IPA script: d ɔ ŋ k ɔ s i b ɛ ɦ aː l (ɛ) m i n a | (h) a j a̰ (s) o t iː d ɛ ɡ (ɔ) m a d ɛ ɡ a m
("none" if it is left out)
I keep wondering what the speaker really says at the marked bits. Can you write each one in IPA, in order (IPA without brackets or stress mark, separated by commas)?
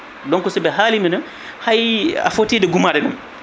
i, h, f, u